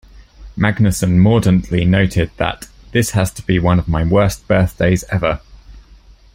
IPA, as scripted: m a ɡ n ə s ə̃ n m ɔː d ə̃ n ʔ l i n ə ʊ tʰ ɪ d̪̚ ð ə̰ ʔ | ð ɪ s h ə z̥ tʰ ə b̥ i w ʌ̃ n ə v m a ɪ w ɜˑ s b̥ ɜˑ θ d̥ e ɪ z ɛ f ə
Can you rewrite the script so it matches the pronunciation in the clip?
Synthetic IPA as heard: m a ɡ n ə s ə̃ n m ɔː d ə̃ n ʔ l i n ə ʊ tʰ ɪ d̪̚ ð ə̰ ʔ | ð ɪ s h ə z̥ tʰ ə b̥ i w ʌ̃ n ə v m a ɪ w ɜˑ s b̥ ɜˑ θ d̥ e ɪ z ɛ v ə